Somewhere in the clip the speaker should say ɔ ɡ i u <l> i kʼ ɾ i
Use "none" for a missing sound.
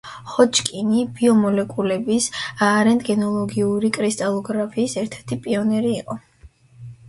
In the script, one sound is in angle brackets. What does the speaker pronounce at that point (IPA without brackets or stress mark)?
ɾ